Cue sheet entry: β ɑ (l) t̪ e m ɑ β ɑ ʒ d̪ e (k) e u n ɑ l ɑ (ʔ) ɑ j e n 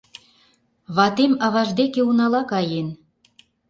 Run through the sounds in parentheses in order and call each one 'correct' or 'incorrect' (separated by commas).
incorrect, correct, incorrect